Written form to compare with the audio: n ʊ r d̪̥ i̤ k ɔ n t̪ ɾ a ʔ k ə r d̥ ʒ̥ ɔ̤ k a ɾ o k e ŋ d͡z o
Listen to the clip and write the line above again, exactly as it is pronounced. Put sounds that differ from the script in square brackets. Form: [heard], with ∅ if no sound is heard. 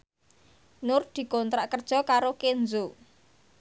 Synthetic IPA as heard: n ʊ r d̪̥ i̤ k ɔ n t̪ ɾ a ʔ k ə r d̥ ʒ̥ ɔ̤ k a ɾ o k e [n] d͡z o